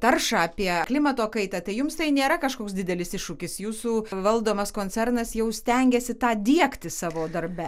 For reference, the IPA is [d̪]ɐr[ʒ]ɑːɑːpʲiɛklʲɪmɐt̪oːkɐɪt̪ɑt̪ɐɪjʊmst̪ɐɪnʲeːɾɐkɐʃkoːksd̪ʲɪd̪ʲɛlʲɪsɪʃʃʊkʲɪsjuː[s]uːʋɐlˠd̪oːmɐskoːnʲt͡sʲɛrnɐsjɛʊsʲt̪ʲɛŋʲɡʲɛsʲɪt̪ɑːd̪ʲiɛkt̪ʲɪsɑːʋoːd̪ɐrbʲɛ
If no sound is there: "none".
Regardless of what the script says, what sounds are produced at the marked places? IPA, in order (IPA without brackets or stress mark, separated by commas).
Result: t̪, ʃ, s